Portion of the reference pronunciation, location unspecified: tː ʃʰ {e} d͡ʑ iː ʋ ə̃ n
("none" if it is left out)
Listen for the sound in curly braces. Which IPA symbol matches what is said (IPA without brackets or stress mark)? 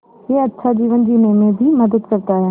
a